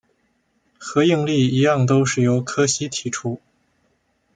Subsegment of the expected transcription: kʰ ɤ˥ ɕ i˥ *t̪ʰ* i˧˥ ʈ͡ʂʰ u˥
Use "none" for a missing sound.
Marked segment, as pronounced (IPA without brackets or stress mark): t̪ʰ